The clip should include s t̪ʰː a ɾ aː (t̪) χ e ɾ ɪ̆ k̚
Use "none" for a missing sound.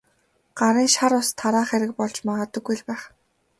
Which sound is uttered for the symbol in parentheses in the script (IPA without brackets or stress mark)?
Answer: none